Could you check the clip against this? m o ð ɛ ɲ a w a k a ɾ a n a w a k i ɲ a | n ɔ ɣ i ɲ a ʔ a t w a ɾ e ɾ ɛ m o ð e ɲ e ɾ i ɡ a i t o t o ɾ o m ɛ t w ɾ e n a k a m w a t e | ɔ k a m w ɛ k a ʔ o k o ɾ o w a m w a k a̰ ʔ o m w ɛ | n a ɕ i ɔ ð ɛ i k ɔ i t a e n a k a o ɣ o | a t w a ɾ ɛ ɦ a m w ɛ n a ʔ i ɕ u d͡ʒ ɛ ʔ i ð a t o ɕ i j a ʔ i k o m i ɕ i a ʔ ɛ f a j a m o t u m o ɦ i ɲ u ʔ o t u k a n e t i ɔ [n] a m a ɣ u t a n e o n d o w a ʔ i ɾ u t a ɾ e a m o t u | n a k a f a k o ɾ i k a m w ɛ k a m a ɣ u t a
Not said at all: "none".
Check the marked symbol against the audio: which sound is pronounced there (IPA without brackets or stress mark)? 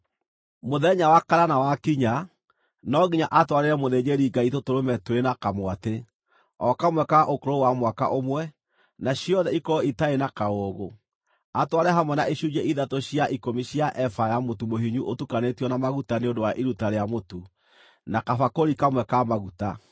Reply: n